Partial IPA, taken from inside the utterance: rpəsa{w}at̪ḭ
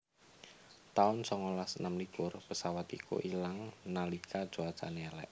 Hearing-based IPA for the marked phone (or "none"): w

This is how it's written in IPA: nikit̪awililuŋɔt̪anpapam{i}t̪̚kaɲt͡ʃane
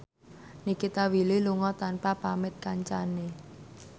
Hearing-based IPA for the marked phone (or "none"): ɪ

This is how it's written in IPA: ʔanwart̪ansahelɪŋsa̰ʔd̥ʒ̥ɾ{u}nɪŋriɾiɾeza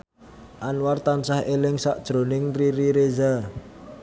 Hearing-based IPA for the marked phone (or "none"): o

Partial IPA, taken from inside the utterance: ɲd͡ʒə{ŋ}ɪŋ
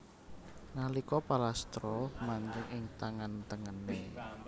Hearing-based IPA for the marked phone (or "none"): ŋ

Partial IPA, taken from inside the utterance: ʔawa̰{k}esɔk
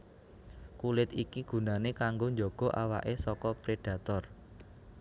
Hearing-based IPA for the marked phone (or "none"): ʔ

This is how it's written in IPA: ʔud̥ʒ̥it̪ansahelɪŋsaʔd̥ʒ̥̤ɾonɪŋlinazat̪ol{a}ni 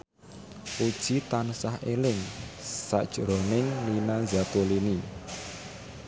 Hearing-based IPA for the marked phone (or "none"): i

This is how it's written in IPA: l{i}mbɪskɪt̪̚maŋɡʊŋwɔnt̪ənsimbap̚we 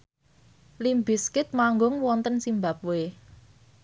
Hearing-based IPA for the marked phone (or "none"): i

